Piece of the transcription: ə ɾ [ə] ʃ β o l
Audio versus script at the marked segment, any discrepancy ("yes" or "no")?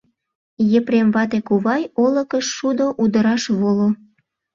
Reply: yes